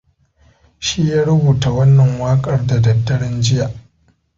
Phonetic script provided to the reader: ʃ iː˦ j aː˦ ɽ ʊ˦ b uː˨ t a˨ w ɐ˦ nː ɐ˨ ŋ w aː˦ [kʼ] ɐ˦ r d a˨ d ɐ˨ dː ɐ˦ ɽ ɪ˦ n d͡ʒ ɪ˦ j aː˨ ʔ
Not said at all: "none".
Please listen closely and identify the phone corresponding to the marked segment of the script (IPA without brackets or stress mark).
kʼ